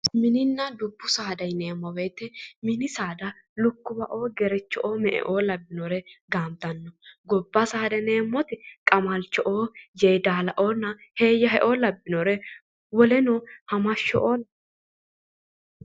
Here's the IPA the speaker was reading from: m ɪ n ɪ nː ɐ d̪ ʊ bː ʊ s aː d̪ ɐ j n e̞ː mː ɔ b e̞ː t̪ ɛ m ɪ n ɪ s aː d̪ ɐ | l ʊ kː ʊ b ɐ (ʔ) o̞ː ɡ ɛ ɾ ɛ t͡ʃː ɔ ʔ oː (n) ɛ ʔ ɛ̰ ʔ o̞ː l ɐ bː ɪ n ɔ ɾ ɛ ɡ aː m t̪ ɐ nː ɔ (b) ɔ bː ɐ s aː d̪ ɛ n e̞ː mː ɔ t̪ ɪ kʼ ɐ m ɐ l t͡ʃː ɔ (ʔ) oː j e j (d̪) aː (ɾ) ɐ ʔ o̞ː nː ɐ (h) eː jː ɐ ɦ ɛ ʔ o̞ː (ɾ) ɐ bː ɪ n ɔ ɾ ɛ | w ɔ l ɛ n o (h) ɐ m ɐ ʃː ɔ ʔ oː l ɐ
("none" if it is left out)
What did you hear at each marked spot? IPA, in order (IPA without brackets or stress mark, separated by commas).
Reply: ʔ, m, ɡ, ʔ, d̪, l, h, l, h